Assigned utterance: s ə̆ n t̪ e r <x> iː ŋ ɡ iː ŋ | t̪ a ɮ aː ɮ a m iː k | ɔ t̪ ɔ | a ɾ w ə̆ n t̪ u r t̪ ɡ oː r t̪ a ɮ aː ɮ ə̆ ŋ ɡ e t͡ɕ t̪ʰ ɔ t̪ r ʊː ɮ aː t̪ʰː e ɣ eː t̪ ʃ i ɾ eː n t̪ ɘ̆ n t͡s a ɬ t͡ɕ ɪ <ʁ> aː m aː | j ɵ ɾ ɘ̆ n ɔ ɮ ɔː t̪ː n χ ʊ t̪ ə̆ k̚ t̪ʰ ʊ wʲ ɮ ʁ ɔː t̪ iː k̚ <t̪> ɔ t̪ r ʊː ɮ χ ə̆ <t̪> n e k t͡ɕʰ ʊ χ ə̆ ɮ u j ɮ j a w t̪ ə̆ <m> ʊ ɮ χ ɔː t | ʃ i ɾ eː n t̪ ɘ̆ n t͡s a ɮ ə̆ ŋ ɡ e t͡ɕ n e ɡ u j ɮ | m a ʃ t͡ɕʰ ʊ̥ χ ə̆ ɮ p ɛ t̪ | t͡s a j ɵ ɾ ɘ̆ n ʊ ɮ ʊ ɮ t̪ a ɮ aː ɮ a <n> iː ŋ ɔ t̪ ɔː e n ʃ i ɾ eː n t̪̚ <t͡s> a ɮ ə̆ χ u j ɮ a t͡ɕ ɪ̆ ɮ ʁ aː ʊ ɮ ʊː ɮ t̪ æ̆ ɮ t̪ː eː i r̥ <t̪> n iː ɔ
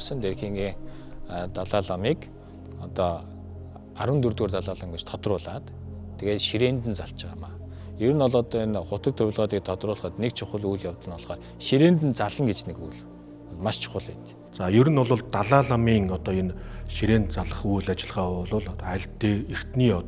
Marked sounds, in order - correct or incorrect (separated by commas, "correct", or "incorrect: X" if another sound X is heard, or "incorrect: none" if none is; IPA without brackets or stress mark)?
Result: correct, correct, incorrect: t̪ʰ, correct, incorrect: n, incorrect: m, correct, correct